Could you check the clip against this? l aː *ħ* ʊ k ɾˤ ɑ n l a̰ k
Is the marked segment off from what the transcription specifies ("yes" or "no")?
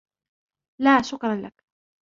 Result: yes